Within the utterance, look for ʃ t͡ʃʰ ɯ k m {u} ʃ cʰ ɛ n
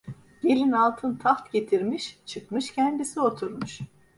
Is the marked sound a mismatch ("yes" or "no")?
yes